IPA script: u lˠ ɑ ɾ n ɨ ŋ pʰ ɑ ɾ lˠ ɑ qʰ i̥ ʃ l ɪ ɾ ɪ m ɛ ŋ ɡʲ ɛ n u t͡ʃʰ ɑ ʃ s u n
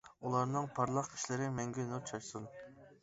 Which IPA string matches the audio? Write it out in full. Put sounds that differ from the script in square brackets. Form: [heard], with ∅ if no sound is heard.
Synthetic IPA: u lˠ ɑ ɾ n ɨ ŋ pʰ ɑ ɾ lˠ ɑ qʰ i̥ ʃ l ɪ ɾ ɪ m ɛ ŋ ɡʲ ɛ n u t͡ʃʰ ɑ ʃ s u n